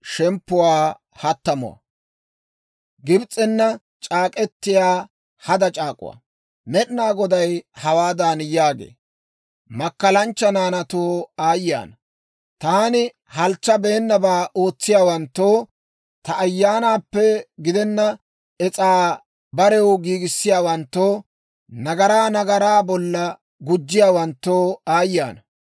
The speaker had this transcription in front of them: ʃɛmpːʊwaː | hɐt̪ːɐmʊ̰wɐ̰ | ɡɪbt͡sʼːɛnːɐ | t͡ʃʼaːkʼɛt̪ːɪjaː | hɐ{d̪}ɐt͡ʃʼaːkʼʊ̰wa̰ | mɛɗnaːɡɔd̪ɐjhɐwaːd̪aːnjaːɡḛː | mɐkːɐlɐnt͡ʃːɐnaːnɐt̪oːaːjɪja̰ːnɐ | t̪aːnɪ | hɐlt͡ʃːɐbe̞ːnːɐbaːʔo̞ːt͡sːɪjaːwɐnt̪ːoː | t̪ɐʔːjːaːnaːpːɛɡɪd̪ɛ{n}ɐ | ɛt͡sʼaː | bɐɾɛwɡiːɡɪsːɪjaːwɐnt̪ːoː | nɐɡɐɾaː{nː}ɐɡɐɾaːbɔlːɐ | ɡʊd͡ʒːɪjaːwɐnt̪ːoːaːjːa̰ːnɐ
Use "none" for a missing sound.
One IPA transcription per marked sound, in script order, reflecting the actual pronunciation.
d̪, nː, n

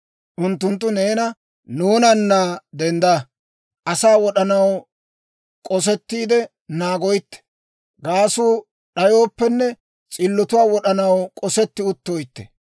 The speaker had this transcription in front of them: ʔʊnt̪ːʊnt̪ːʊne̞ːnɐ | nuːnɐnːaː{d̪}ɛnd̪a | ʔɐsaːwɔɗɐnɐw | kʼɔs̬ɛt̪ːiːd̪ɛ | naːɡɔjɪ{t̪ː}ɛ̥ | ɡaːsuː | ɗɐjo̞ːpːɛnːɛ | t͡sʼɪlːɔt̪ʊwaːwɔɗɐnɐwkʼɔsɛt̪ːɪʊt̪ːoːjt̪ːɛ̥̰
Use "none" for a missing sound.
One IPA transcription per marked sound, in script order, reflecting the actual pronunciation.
d̪, t̪ː

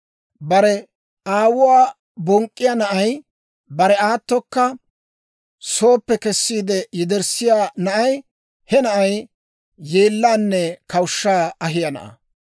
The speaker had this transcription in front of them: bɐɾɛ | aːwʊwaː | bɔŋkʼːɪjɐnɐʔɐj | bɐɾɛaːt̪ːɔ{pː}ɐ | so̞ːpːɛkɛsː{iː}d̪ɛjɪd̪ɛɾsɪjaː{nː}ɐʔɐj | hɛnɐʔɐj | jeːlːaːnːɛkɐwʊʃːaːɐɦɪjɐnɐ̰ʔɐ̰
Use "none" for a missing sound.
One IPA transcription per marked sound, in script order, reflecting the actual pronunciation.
kː, iː, n

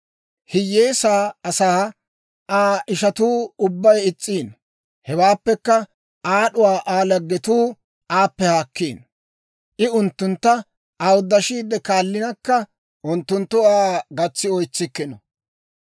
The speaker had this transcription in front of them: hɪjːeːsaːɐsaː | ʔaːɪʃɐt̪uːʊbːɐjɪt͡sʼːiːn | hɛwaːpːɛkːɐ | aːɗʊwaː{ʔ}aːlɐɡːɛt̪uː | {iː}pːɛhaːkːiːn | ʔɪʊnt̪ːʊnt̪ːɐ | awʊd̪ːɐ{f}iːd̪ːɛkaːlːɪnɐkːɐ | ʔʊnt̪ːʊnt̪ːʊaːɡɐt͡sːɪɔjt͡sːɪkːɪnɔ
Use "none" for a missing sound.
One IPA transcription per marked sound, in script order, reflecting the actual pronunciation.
ʔ, aː, ʃ

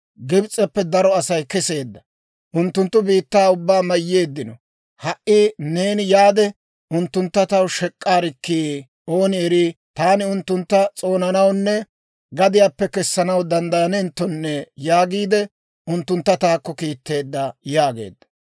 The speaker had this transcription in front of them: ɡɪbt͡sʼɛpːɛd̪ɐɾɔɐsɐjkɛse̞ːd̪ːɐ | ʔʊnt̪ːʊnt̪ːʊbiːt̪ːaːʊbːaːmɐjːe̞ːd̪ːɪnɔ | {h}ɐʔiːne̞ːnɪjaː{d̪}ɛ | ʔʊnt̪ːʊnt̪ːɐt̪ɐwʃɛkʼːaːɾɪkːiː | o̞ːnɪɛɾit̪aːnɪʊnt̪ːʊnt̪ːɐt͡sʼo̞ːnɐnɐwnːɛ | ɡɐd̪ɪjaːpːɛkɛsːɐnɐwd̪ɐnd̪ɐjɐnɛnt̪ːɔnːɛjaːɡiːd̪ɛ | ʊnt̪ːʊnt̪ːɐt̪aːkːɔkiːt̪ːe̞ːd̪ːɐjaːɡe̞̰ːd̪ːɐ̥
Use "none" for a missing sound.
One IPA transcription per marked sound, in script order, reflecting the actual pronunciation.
h, d̪

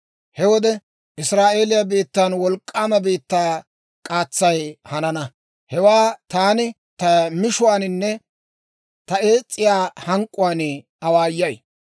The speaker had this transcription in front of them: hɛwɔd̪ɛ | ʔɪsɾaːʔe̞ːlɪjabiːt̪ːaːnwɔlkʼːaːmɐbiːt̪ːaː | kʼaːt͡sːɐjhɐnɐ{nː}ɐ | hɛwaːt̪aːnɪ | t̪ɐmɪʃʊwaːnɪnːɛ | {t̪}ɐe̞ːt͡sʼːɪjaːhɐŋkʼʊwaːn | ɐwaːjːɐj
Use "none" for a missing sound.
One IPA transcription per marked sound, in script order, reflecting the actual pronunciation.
n, t̪

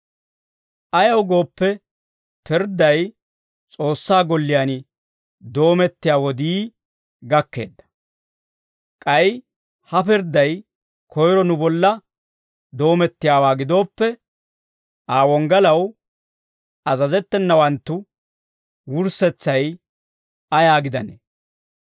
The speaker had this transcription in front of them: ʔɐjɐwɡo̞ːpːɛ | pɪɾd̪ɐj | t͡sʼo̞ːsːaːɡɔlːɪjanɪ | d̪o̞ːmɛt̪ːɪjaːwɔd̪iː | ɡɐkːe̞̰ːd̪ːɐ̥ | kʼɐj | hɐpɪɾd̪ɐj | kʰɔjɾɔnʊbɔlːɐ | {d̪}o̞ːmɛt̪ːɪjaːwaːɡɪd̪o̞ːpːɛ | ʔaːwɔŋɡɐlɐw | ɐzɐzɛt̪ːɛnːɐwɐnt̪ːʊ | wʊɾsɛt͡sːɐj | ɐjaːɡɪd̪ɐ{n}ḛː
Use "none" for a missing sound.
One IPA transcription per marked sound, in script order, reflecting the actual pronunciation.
d̪, n

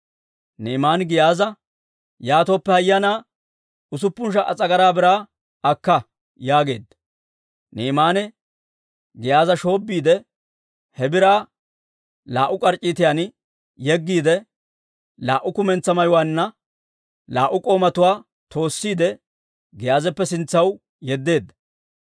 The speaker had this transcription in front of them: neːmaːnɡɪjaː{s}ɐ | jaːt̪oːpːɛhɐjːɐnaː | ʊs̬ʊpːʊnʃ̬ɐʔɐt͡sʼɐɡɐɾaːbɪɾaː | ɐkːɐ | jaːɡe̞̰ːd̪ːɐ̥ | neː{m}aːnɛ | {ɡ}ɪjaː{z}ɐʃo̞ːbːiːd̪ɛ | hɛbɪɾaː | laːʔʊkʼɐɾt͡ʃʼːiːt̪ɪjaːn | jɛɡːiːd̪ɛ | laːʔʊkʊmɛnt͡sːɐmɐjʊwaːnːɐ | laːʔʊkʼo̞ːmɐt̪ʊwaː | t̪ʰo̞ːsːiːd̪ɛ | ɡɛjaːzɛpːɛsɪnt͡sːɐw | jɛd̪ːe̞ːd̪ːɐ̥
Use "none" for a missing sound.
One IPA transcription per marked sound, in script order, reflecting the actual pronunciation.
z, m, ɡ, z

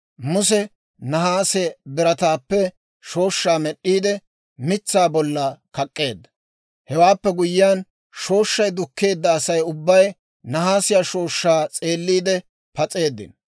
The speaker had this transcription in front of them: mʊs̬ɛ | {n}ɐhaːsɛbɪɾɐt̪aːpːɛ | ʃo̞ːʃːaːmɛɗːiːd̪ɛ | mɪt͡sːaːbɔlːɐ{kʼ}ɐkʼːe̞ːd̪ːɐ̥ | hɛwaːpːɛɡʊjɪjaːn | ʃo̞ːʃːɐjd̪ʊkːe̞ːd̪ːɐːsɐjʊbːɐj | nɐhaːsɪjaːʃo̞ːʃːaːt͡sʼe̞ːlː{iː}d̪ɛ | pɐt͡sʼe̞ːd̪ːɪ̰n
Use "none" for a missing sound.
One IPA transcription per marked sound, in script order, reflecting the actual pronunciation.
n, k, iː

